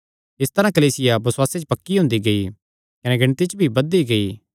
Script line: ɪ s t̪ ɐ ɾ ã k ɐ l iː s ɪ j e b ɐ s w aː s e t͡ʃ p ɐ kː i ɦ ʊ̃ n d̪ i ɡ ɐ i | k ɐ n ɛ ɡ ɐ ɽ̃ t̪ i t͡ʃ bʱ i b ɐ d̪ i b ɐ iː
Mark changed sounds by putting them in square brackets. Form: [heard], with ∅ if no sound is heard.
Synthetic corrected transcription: ɪ s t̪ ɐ ɾ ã k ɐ l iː s ɪ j [a] b ɐ s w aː s e t͡ʃ p ɐ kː i ɦ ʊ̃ n d̪ i ɡ ɐ i | k ɐ n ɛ ɡ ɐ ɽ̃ t̪ i t͡ʃ bʱ i b ɐ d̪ i [ɡ] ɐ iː